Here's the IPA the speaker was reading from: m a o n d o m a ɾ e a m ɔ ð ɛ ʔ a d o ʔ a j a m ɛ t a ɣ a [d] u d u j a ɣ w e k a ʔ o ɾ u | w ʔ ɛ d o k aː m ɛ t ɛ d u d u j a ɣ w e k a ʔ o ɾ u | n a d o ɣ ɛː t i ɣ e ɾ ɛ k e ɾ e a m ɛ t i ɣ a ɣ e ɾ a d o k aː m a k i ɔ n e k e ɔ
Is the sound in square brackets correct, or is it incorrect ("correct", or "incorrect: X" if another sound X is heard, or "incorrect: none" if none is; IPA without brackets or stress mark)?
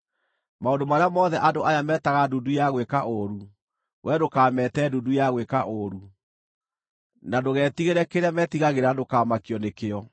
correct